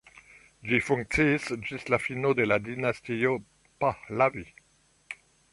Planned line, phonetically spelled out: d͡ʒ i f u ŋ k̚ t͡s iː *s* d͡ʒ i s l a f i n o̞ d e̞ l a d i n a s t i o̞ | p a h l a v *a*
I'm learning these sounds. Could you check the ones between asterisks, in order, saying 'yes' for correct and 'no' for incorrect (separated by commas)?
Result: yes, no